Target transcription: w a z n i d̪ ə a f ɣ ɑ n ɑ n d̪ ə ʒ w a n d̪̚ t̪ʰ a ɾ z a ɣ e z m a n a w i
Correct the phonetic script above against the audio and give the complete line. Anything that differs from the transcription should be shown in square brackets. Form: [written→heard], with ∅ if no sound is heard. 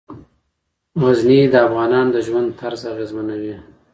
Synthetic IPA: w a z n i d̪ ə a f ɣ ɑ n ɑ n d̪ ə ʒ w a n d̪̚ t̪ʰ a ɾ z a ɣ e z m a n a w i